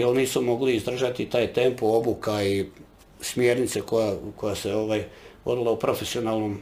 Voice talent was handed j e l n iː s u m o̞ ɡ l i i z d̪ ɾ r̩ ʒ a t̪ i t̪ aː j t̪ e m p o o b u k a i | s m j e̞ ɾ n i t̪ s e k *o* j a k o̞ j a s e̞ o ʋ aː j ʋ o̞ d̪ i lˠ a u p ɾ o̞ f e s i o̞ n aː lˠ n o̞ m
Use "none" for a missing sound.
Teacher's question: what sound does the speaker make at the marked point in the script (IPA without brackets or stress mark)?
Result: o